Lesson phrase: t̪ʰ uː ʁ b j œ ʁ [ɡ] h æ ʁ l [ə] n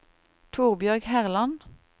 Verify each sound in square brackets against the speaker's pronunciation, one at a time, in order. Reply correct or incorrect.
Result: correct, incorrect: ɑ

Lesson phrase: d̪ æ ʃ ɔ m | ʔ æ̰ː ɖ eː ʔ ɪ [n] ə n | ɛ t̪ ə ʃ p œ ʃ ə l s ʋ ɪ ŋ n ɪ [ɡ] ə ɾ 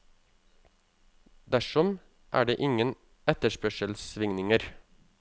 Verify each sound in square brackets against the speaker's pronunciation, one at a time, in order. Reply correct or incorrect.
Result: incorrect: ŋ, incorrect: ŋ

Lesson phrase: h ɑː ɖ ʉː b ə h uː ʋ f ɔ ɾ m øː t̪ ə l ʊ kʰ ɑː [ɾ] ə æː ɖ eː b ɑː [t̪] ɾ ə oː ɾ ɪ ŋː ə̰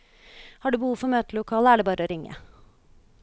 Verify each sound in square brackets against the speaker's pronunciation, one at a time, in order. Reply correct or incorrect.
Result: incorrect: l, incorrect: none

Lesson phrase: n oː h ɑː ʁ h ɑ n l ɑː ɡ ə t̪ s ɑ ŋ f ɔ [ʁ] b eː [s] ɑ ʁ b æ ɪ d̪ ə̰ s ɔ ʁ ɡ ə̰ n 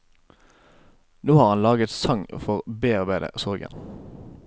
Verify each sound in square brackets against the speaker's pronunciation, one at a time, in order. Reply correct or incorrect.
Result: correct, incorrect: none

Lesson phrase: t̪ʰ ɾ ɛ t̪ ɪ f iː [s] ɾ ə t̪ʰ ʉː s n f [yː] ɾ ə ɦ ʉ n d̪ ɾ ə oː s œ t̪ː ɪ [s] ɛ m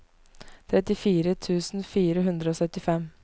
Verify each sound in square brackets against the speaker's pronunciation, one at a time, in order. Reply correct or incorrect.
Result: incorrect: none, incorrect: iː, incorrect: f

